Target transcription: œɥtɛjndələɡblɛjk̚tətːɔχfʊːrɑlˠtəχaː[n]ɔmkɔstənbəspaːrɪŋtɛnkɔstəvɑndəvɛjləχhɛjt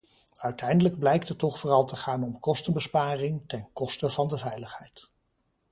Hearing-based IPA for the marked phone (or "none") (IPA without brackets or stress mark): n